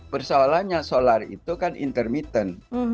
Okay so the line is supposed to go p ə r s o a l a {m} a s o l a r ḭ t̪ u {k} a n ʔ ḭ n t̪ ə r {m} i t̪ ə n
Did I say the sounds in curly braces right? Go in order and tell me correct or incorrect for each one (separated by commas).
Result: incorrect, correct, correct